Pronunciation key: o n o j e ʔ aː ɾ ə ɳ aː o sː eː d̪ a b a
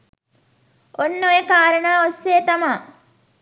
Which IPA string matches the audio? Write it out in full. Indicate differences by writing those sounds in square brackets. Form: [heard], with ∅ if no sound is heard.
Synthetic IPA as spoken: o [nː] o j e [k] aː ɾ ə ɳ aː o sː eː [t̪] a [m] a